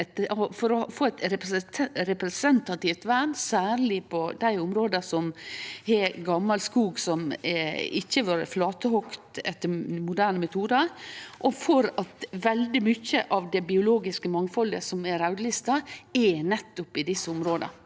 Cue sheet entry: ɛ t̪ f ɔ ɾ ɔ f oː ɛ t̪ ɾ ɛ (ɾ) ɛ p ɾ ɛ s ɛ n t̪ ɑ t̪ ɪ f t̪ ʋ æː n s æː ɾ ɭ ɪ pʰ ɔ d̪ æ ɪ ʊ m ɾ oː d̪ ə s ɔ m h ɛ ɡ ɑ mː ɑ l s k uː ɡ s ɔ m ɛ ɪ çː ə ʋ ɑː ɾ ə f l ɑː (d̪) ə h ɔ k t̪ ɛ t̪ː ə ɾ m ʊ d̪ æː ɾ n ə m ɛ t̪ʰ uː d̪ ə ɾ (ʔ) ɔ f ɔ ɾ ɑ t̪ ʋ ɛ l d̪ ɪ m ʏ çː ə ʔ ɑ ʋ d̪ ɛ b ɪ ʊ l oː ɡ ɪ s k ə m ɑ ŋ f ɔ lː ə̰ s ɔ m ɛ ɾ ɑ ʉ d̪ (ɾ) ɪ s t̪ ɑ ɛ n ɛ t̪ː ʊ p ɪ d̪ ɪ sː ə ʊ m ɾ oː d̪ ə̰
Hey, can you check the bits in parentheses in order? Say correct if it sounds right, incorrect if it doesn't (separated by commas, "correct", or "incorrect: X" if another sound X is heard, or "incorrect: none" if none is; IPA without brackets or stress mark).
correct, incorrect: t̪, correct, incorrect: l